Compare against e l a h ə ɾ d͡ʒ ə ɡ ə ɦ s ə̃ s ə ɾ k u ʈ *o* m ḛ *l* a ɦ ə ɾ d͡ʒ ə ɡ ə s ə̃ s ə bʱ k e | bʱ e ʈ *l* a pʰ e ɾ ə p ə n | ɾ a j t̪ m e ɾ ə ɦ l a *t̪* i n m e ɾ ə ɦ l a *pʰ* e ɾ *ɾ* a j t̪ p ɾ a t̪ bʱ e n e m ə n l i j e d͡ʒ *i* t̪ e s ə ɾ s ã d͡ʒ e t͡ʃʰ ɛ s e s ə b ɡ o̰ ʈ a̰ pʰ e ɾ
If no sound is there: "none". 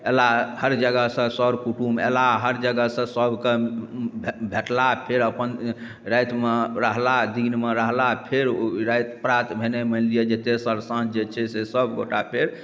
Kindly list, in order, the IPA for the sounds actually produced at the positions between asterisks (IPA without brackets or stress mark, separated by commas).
u, l, l, d̪, pʰ, ɾ, e